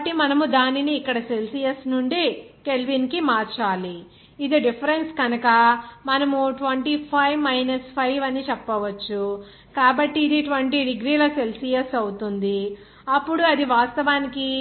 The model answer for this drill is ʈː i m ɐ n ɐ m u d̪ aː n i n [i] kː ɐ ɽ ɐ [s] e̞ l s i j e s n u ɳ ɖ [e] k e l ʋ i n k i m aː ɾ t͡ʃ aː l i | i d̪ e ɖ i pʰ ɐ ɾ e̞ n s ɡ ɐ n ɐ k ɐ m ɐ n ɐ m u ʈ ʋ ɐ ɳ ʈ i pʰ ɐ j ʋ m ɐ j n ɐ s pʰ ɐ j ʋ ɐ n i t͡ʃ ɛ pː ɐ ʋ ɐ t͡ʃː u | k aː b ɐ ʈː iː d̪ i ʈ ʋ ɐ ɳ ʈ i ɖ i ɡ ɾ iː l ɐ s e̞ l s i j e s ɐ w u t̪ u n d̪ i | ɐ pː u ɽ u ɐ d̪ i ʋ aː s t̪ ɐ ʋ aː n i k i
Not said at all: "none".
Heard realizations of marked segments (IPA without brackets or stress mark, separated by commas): iː, s, i